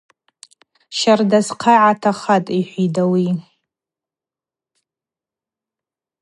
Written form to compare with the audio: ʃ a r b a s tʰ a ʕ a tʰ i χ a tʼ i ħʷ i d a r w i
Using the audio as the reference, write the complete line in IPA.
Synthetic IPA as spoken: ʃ a r d a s qʰ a ʕ a tʰ a χ a tʼ i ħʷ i d a w i